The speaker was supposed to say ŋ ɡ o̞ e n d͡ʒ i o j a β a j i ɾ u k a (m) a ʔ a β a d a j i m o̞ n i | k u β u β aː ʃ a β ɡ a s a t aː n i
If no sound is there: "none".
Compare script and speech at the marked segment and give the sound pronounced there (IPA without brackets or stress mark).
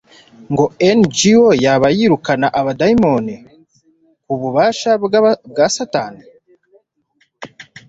n